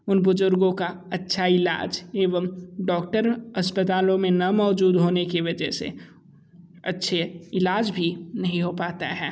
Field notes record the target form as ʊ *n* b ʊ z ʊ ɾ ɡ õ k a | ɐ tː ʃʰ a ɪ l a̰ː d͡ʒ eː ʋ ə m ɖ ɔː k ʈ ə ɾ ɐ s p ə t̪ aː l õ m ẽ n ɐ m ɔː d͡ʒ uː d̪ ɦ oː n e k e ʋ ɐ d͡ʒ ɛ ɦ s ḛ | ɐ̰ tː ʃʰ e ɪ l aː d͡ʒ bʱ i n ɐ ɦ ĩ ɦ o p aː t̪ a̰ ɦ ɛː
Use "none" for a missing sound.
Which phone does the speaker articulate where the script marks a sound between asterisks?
n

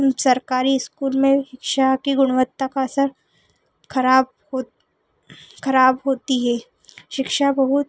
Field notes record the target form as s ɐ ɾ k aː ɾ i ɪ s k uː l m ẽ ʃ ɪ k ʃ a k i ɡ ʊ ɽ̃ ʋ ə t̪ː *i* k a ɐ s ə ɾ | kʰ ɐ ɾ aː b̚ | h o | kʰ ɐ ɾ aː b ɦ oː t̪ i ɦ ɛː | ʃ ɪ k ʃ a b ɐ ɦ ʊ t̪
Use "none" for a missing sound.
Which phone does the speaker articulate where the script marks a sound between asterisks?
a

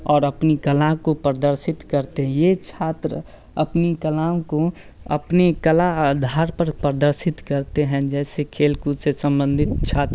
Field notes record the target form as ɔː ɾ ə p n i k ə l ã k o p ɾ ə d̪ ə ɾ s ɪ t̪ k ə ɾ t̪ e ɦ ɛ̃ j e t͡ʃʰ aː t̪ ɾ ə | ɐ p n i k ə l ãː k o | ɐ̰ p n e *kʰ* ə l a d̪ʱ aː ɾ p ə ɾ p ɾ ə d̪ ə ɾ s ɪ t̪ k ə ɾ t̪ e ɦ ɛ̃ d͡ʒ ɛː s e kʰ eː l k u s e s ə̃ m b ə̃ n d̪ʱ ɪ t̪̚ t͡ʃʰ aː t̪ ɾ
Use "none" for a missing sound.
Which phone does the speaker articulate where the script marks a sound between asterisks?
k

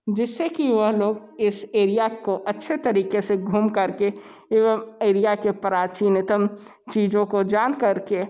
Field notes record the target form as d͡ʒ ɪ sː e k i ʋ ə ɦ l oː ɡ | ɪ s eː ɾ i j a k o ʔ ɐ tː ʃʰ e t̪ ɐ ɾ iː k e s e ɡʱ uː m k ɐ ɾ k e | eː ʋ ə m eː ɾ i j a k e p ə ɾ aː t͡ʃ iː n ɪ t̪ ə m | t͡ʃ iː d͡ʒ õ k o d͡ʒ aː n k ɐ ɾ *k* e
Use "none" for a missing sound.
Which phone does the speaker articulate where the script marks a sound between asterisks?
k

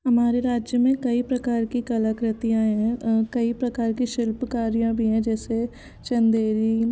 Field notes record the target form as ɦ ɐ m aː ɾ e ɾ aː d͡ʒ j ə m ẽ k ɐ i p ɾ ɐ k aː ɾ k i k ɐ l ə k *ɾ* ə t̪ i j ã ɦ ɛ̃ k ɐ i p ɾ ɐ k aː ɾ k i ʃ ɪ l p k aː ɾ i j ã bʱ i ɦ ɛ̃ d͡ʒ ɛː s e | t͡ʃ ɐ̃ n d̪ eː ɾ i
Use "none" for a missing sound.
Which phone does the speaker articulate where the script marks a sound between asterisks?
ɾ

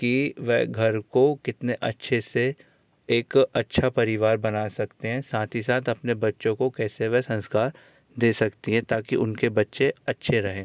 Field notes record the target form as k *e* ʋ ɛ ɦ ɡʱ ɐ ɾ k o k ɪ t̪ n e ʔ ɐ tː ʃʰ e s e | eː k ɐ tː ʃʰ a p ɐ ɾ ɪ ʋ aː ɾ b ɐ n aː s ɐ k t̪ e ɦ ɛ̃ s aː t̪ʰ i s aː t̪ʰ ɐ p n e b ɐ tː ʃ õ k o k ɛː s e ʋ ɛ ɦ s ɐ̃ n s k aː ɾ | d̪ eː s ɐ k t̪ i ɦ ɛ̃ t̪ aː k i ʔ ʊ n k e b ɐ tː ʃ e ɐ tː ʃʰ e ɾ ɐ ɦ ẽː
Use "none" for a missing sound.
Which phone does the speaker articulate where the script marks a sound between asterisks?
i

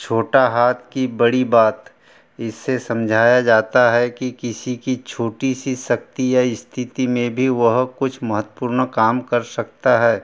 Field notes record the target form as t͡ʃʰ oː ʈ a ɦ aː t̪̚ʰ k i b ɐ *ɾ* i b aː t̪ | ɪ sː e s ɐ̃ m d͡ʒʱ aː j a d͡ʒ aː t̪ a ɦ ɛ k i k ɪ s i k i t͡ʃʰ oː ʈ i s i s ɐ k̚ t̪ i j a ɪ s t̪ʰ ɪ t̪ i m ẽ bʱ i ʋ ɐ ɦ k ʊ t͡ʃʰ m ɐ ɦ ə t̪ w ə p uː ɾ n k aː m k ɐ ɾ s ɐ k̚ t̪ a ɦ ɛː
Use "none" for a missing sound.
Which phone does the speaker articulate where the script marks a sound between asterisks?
ɽ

